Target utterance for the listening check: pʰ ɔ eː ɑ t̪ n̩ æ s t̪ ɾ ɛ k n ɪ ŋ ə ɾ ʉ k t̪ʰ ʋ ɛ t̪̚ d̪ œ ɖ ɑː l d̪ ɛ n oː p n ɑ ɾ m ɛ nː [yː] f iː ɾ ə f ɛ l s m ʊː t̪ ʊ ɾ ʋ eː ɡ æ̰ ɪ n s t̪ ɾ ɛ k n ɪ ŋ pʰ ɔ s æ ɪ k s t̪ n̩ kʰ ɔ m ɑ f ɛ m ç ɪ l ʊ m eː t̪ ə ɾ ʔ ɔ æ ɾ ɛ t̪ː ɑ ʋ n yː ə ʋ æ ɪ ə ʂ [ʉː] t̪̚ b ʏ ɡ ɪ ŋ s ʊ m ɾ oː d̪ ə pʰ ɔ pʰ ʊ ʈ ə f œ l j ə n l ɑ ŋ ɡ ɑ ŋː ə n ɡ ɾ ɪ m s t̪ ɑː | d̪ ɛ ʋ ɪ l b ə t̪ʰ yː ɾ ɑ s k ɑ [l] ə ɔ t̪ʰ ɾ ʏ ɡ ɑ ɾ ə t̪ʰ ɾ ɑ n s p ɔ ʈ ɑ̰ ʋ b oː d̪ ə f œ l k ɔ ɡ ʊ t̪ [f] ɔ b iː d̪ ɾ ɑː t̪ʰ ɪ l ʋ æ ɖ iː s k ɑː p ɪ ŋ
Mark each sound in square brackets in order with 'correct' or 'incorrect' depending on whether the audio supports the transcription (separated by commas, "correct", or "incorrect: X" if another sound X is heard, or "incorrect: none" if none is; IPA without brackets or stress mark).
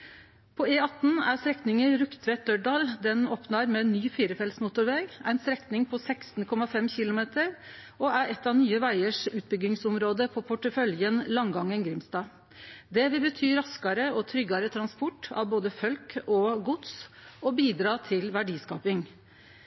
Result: correct, correct, incorrect: ɾ, incorrect: s